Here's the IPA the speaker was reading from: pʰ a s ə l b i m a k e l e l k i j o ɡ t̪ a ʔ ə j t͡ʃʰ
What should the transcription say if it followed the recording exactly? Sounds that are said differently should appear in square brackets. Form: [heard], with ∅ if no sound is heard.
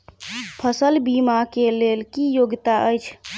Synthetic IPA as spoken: pʰ [ə] s ə l b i m a k e l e l k i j o ɡ t̪ a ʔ ə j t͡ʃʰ